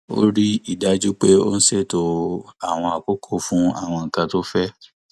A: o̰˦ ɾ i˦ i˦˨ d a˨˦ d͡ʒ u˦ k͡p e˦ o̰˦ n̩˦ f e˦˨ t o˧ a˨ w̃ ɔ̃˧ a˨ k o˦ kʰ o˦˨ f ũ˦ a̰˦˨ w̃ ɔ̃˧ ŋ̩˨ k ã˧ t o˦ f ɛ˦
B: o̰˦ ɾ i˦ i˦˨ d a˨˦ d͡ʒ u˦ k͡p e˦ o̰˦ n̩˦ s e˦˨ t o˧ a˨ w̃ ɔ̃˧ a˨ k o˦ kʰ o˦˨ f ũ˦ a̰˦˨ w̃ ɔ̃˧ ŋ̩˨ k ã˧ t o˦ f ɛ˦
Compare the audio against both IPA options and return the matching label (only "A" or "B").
B